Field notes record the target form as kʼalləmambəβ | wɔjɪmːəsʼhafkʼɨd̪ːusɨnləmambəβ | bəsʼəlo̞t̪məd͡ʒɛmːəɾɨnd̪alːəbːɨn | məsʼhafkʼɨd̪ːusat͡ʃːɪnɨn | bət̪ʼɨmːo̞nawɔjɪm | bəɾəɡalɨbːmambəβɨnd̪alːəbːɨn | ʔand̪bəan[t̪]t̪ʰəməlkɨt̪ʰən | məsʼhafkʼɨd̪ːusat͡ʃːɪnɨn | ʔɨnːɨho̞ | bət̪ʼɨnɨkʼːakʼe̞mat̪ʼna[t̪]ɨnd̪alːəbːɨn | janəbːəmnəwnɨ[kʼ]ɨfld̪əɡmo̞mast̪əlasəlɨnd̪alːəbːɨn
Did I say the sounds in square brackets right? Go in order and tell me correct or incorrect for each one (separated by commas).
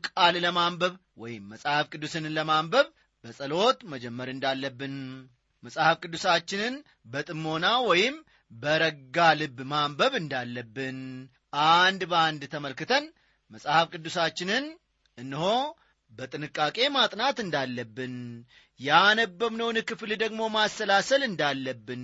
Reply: incorrect, correct, incorrect